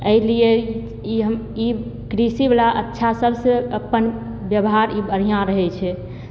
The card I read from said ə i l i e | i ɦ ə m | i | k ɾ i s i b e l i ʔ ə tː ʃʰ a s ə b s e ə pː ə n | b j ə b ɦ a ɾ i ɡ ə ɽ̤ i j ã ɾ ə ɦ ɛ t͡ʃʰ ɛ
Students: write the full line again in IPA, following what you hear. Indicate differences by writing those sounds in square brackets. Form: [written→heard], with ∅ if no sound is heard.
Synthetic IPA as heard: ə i l i e | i ɦ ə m | i | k ɾ i s i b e l [i→a] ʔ ə tː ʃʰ a s ə b s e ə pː ə n | b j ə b ɦ a ɾ i [ɡ→b] ə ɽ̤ i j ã ɾ ə ɦ ɛ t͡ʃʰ ɛ